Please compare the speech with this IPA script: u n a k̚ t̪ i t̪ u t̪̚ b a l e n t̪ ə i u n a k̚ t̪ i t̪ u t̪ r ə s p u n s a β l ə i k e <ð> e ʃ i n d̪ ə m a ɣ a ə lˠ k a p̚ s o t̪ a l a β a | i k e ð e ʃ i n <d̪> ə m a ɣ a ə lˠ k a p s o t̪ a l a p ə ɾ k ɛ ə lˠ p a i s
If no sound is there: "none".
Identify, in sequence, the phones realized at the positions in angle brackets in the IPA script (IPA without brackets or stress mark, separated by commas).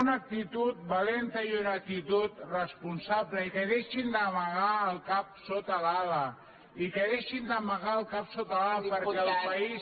ð, d̪